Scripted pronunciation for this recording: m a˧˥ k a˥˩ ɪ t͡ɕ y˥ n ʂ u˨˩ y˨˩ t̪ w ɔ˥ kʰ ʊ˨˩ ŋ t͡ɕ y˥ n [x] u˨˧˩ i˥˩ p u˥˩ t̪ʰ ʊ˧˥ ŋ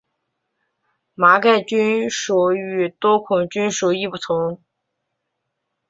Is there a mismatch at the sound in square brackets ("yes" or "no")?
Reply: yes